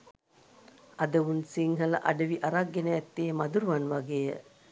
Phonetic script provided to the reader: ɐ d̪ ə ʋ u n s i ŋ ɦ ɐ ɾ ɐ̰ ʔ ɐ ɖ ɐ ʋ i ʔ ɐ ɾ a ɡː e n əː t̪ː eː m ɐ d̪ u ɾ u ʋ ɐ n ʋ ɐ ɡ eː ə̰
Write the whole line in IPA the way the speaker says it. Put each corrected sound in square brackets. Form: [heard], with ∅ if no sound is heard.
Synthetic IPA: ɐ d̪ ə ʋ u n s i ŋ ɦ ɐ [l] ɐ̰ ʔ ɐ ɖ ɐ ʋ i ʔ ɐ ɾ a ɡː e n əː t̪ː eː m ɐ d̪ u ɾ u ʋ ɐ n ʋ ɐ ɡ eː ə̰